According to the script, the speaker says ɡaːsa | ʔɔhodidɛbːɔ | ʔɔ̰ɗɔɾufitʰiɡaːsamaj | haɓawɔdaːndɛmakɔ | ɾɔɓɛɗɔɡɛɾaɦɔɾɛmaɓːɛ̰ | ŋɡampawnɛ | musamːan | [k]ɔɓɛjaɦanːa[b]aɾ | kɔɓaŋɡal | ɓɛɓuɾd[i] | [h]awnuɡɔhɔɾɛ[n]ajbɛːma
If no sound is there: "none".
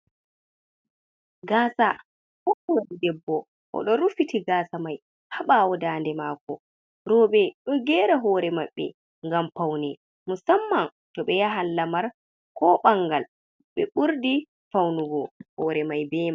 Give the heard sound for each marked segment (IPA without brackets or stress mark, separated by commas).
t, m, i, f, m